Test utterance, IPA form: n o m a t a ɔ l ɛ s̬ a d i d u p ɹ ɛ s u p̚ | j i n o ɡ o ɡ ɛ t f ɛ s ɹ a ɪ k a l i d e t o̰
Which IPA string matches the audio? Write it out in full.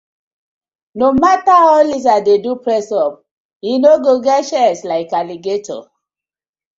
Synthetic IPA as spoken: n o m a t a ɔ l i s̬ a d e d u p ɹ ɛ s ɔ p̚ | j i n o ɡ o ɡ ɛ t ʃ ɛ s l a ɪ k a l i ɡ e t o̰